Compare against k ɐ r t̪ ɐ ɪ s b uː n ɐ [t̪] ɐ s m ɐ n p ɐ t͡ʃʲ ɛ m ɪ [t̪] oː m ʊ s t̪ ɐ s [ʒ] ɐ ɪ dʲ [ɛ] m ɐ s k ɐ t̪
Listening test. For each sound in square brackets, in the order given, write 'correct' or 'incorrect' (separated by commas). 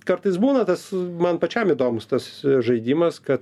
correct, incorrect, correct, incorrect